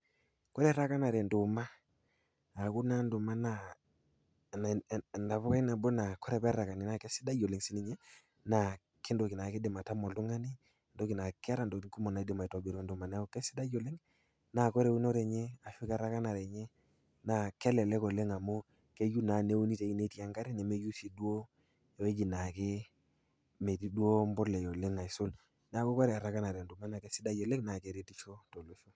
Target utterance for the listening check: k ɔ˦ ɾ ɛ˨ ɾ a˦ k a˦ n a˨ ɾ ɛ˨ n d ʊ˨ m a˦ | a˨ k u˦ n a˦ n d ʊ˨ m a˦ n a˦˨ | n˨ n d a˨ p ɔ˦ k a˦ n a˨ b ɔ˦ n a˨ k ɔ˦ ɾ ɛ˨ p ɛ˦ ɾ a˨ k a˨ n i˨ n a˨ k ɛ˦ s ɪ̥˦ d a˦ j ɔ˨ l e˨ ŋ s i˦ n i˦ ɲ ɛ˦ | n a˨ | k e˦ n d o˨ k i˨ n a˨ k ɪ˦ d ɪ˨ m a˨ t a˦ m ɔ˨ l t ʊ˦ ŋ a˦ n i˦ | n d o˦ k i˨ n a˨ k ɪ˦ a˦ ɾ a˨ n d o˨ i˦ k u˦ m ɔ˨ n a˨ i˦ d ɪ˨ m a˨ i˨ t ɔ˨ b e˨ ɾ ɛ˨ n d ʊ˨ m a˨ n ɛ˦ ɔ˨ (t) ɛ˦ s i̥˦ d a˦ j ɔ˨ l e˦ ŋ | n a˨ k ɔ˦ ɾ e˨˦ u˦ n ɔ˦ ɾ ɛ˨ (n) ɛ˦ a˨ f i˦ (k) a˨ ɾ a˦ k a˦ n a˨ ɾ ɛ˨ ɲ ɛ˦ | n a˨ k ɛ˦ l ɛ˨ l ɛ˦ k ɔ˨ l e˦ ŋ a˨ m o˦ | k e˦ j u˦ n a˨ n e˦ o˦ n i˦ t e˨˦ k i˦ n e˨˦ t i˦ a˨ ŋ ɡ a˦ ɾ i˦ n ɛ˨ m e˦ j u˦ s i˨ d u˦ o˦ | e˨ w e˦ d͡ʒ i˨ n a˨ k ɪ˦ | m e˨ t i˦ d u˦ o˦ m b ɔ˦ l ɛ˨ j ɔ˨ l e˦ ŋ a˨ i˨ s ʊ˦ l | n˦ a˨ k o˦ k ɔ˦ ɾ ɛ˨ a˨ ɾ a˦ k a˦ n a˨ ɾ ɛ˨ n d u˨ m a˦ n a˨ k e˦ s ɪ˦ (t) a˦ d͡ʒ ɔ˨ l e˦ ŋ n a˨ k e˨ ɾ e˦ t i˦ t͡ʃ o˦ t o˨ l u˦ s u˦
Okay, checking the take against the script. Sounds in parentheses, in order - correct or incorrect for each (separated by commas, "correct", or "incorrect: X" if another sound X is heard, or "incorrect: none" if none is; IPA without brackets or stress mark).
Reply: incorrect: k, incorrect: ɲ, correct, incorrect: d